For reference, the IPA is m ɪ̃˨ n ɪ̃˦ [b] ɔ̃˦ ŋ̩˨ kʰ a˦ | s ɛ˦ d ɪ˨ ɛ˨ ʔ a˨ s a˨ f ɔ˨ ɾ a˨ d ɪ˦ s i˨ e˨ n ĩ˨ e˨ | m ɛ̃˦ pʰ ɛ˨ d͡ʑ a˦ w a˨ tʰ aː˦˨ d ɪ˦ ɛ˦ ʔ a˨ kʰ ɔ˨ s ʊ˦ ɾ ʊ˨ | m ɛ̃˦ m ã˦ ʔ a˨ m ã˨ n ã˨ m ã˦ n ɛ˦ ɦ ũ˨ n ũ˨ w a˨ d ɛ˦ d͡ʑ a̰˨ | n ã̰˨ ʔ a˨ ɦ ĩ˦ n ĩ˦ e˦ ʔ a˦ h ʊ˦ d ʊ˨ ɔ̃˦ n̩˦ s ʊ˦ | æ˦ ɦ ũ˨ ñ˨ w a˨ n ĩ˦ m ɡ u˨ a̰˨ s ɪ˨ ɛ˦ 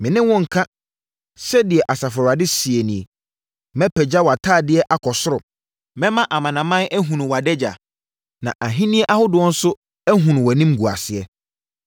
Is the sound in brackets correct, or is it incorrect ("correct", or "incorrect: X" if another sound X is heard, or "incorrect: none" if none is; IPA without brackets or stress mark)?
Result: incorrect: w